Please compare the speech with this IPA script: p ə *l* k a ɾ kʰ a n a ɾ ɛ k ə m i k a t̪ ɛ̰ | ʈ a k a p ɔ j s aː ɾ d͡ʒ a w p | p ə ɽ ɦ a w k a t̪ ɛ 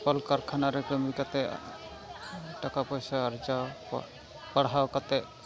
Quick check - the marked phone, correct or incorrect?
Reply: correct